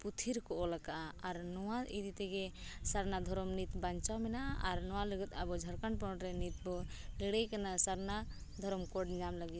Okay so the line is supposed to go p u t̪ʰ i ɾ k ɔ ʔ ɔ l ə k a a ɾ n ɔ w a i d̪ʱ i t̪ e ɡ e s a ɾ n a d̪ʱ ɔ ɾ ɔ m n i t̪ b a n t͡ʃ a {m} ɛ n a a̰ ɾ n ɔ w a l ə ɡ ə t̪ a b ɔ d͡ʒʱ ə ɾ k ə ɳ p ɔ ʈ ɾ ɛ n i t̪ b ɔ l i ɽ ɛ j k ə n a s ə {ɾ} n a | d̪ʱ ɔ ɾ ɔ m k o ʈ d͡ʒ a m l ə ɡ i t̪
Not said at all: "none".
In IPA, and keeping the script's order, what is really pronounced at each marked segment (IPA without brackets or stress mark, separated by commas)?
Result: m, ɾ